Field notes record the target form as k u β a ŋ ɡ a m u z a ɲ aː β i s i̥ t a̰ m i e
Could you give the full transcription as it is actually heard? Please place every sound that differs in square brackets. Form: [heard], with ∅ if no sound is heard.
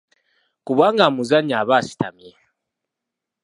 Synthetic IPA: k u β a ŋ ɡ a m u z a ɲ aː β [a] s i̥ t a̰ m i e

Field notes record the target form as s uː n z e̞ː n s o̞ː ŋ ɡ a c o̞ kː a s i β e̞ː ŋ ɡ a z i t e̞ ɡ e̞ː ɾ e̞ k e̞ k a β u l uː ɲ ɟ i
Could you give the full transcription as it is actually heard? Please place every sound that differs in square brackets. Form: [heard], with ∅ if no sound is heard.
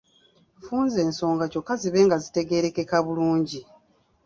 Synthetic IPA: [f] uː n z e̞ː n s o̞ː ŋ ɡ a c o̞ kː a [z] i β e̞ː ŋ ɡ a z i t e̞ ɡ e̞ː ɾ e̞ k e̞ k a β u l uː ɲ ɟ i

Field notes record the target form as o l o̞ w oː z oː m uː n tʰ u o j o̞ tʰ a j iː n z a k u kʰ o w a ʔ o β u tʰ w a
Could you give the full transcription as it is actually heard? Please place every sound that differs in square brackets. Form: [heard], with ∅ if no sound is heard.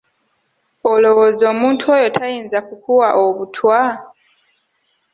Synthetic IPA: o l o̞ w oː z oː m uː n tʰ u o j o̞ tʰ a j iː n z a k u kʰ [u] w a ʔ o β u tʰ w a

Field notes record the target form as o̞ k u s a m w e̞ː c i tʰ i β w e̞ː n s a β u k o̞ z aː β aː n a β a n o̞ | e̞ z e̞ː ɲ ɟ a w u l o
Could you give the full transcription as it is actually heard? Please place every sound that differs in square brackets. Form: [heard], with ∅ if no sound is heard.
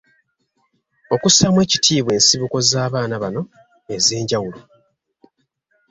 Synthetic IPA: o̞ k u s a m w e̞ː c i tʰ [iː] β w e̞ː n s [i] β u k o̞ z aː β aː n a β a n o̞ | e̞ z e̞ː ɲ ɟ a w u l o

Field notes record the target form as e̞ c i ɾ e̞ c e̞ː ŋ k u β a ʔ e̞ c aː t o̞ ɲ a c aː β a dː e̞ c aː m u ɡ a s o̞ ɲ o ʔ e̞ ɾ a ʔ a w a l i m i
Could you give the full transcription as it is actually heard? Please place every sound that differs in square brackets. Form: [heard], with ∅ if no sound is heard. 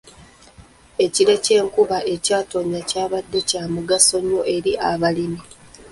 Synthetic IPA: e̞ c i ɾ e̞ c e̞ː ŋ k u β a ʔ e̞ c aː t o̞ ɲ a c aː β a dː e̞ c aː m u ɡ a s o̞ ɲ o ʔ e̞ ɾ [i] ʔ a [β] a l i m i

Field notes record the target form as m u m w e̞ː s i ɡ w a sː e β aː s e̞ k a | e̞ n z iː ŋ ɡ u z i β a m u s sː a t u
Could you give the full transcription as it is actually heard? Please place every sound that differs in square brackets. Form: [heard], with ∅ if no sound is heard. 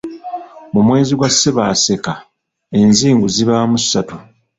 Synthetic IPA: m u m w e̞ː [z] i ɡ w a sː e β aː s e̞ k a | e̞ n z iː ŋ ɡ u z i β a m u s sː a t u

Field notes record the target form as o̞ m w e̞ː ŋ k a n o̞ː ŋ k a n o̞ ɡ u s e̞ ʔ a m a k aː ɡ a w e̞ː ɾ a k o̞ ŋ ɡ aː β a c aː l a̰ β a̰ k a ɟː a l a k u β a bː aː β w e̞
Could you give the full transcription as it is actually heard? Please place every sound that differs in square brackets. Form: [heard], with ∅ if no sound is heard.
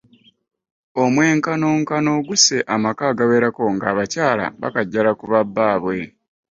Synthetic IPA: o̞ m w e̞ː ŋ k a n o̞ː ŋ k a n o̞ ɡ u s e̞ ʔ a m a k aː ɡ a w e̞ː ɾ a k o̞ ŋ ɡ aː β a c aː l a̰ β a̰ k a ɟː a l a k u β a bː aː β w e̞

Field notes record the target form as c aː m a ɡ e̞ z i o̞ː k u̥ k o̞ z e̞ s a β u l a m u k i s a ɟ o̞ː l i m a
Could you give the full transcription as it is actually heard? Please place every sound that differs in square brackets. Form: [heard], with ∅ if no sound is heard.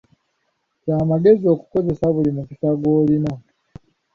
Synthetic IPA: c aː m a ɡ e̞ z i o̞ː k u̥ k o̞ z e̞ s a β u l [i] m u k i s a [ɡ] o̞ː l i [n] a

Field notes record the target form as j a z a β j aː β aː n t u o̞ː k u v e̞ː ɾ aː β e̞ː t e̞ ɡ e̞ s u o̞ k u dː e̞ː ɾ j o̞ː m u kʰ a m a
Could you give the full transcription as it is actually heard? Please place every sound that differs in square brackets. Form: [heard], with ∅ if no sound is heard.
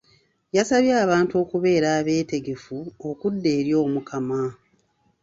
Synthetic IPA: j a [s] a β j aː β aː n t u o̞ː k u [β] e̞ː ɾ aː β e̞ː t e̞ ɡ e̞ [f] u o̞ k u dː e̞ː ɾ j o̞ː m u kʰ a m a

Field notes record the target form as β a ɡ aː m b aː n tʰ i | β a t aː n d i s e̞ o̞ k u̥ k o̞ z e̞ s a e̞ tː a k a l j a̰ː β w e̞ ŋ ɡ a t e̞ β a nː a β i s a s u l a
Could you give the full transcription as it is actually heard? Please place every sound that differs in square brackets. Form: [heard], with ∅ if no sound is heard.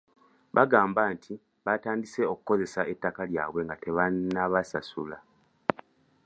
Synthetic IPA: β a ɡ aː m b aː n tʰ i | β a t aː n d i s e̞ o̞ k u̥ k o̞ z e̞ s a e̞ tː a k a l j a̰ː β w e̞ ŋ ɡ a t e̞ β a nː a β [a] s a s u l a

